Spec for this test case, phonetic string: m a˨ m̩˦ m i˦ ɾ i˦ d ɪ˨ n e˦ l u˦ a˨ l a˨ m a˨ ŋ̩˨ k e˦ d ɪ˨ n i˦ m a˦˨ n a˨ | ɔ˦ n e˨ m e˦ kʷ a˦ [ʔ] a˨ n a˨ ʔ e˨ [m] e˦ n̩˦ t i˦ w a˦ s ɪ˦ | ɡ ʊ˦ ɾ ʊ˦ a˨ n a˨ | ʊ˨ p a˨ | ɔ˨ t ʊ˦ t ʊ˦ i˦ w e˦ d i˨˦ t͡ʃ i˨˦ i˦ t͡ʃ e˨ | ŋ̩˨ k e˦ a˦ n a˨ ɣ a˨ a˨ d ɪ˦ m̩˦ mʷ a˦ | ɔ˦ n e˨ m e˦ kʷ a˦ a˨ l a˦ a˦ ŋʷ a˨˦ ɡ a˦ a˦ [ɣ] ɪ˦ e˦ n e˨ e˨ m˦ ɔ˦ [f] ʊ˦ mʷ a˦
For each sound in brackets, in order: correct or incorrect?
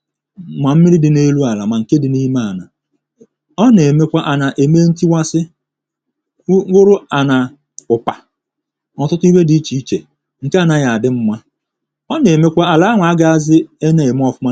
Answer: correct, correct, incorrect: z, correct

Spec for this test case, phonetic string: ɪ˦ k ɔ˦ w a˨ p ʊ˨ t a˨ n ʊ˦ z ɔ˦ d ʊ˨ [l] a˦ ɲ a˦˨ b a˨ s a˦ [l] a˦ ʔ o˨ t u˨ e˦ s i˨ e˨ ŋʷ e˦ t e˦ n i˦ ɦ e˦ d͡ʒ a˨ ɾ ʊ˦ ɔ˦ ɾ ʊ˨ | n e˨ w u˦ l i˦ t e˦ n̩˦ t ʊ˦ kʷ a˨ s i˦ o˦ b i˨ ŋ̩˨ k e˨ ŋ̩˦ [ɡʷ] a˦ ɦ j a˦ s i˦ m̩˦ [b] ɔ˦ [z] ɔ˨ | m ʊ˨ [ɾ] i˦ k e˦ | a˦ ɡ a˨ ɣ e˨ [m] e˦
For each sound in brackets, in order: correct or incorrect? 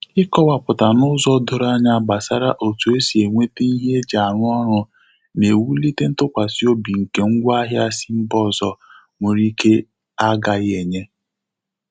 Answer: incorrect: ɾ, incorrect: ɾ, correct, correct, correct, correct, incorrect: ɲ

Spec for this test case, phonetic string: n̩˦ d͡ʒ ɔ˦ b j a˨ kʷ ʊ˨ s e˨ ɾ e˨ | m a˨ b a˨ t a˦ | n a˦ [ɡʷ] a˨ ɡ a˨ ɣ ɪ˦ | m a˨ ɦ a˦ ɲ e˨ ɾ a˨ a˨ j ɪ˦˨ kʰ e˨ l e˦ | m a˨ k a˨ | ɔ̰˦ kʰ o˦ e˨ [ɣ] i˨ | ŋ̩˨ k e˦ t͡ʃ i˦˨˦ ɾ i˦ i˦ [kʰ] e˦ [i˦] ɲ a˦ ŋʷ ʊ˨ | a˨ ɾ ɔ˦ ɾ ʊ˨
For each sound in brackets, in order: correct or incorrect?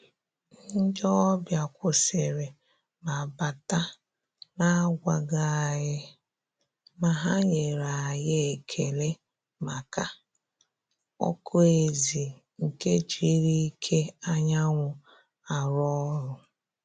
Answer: correct, incorrect: z, correct, incorrect: a˦

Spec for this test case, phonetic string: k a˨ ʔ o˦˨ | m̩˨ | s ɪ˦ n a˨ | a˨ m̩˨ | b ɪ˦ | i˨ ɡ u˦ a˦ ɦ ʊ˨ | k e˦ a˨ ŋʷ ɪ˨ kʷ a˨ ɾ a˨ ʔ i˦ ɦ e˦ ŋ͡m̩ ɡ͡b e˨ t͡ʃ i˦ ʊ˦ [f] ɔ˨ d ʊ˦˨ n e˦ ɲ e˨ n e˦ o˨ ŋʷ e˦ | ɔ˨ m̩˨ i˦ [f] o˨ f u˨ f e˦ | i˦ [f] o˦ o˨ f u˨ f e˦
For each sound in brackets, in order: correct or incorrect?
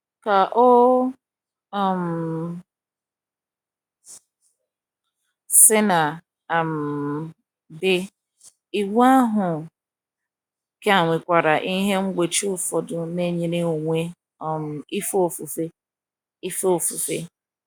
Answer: correct, correct, correct

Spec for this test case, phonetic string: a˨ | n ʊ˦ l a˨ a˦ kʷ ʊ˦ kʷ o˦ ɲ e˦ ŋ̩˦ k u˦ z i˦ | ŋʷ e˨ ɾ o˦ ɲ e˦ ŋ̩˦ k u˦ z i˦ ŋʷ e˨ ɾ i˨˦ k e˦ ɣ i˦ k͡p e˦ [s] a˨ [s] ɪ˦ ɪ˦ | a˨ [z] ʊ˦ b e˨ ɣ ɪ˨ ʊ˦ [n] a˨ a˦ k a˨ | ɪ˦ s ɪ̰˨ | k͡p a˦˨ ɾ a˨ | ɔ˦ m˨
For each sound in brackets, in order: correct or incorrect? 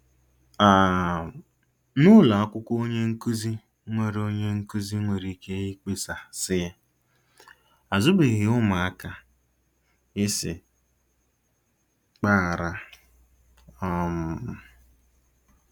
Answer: correct, correct, correct, incorrect: m

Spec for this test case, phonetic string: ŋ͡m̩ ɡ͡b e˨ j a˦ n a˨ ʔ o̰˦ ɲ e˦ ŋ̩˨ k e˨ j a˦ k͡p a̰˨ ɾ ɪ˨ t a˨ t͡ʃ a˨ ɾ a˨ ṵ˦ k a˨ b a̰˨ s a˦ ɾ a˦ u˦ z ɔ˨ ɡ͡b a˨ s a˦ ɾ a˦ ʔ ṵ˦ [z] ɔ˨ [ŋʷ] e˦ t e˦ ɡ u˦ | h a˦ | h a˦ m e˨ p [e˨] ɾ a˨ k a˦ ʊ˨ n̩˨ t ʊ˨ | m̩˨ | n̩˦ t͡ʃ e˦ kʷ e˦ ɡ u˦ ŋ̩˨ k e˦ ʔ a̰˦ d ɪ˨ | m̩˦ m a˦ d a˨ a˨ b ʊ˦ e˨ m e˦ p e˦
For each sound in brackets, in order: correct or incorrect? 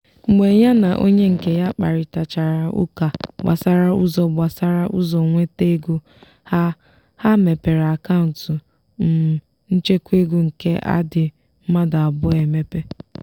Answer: correct, correct, correct

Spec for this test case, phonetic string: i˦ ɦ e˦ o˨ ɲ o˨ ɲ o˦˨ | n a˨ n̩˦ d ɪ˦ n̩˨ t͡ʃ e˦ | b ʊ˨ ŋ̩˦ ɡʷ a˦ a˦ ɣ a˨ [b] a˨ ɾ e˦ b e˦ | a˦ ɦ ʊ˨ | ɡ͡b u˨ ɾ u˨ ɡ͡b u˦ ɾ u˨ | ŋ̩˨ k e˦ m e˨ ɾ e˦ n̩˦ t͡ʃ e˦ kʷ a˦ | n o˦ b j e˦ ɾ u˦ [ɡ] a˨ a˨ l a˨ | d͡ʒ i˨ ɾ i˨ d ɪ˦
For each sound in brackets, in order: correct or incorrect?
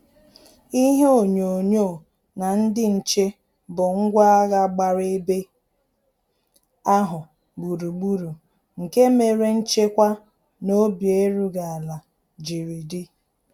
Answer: incorrect: ɡ͡b, correct

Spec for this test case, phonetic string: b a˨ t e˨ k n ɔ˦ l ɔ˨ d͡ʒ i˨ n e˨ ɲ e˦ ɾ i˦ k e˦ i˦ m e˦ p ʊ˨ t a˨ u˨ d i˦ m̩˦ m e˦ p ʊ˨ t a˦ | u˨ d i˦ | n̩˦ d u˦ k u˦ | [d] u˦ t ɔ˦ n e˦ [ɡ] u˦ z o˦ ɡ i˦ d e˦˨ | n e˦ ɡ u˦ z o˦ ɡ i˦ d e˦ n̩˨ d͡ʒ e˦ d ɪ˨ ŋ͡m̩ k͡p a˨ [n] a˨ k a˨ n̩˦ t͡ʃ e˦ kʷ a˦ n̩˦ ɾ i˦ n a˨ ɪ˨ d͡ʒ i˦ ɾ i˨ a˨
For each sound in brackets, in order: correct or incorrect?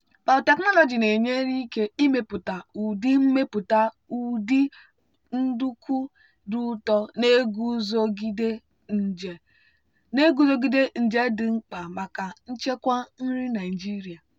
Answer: correct, correct, incorrect: m

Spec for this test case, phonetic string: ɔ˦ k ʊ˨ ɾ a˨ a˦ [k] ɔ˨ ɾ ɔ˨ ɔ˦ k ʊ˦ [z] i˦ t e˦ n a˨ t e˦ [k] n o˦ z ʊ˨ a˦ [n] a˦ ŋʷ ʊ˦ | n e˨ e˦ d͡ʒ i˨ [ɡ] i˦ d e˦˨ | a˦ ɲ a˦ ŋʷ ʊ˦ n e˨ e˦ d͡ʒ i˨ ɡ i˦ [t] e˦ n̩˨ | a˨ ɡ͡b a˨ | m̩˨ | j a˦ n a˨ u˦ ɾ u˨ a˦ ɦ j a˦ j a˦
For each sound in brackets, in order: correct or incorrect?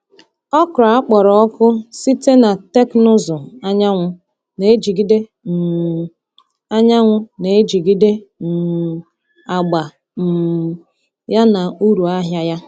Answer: incorrect: k͡p, incorrect: s, correct, incorrect: ɲ, correct, incorrect: d

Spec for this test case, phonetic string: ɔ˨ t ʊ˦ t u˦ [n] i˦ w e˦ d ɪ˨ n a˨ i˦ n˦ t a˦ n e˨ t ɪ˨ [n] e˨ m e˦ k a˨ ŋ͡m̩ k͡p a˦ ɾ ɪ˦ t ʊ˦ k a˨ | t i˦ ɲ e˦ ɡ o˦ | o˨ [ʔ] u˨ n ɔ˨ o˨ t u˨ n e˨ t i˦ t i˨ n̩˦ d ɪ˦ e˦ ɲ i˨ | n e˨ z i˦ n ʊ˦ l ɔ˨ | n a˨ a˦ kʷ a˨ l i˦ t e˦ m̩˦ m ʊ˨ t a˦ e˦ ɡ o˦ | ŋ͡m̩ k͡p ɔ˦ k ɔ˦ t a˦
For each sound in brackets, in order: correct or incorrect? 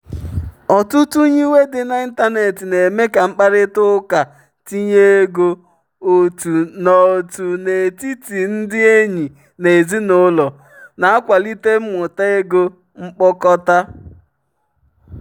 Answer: incorrect: ɲ, correct, incorrect: t

